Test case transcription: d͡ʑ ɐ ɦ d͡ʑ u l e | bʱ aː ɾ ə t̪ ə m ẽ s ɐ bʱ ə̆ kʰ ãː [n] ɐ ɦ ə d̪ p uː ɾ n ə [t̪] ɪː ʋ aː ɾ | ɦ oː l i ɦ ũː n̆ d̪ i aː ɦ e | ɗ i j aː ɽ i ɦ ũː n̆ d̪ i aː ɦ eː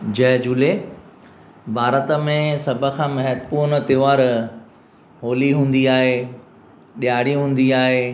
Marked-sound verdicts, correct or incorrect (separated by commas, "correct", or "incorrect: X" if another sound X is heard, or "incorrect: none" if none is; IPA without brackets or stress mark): incorrect: m, correct